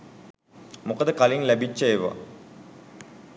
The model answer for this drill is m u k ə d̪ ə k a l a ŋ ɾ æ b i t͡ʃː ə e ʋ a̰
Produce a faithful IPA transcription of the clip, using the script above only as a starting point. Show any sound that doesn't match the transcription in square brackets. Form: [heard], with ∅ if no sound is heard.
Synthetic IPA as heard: m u k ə d̪ ə k a l [i] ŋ [l] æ b i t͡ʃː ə e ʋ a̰